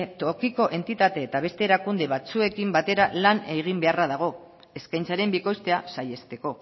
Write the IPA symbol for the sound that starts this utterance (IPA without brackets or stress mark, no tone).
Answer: t̪